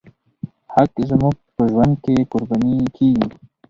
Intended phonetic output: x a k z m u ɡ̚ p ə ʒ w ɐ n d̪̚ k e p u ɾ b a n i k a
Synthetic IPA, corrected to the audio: h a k z m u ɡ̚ p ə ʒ w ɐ n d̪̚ k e k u ɾ b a n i k i